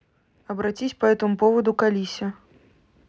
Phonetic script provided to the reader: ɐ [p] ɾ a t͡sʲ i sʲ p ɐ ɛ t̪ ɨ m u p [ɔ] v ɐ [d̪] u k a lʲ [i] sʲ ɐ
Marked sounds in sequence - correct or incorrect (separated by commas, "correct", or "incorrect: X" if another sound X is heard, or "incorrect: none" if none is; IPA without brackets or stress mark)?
incorrect: b, correct, correct, correct